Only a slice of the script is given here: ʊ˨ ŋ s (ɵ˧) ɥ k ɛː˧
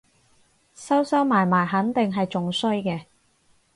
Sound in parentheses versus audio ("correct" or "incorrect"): incorrect